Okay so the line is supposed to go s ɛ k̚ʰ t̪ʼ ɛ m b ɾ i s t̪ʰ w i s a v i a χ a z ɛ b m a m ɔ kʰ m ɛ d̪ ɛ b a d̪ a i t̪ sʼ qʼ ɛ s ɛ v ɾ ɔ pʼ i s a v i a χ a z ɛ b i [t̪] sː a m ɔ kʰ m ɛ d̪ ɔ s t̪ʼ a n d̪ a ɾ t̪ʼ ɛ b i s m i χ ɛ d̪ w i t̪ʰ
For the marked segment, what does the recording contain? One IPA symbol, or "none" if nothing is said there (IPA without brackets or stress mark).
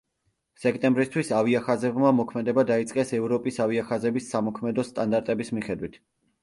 none